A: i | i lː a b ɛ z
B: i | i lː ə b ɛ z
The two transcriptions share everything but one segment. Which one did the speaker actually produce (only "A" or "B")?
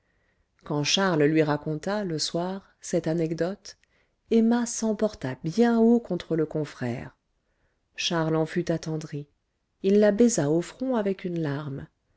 A